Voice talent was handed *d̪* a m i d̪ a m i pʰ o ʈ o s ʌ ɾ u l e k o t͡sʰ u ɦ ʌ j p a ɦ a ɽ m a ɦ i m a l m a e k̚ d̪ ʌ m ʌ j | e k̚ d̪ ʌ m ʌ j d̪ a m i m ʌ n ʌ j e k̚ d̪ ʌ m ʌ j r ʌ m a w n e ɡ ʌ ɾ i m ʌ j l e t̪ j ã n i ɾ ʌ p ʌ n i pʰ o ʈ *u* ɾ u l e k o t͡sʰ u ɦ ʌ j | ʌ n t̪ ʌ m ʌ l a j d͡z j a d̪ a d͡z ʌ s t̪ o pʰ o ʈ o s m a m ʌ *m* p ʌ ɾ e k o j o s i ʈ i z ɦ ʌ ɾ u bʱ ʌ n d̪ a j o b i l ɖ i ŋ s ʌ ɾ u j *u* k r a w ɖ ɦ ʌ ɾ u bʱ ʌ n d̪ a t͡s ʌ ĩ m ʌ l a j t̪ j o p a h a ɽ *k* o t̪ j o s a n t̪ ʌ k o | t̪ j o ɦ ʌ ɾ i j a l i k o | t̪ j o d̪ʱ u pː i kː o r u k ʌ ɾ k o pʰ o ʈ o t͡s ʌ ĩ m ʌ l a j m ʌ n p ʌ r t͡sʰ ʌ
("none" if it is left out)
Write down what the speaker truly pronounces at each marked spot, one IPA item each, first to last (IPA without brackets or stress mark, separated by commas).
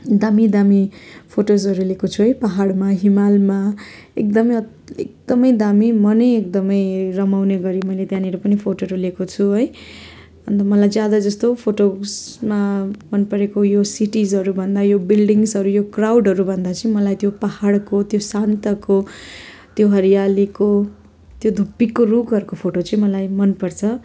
d̪, o, n, o, k